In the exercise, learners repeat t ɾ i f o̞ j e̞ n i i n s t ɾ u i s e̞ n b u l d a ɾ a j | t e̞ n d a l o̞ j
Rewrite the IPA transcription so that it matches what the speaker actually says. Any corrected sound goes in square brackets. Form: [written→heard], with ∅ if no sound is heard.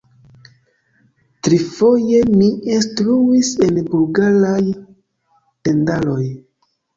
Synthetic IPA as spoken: t ɾ i f o̞ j e̞ [n→m] i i n s t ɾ u i s e̞ n b u l [d→ɡ] a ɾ a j | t e̞ n d a l o̞ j